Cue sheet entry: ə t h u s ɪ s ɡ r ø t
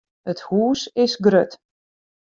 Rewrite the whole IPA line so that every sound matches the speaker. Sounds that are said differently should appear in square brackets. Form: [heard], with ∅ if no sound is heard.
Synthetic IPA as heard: ə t h [uː] s ɪ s ɡ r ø t